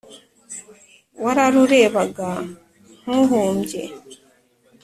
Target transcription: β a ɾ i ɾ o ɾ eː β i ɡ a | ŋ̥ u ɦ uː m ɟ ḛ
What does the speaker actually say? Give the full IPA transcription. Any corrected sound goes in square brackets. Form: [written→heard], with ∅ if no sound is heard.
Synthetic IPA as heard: [β→w] a ɾ [i→a] ɾ [o→u] ɾ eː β [i→a] ɡ a | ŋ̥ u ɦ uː m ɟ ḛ